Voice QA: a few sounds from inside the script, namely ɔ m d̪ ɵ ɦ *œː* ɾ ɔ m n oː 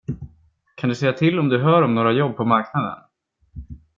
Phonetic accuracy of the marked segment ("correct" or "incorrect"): correct